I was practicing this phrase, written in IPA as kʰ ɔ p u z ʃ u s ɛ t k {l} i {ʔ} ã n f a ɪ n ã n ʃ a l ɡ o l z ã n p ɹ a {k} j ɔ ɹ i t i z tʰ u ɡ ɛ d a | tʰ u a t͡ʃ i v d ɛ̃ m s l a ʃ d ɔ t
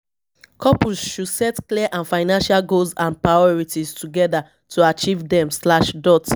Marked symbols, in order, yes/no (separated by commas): yes, yes, no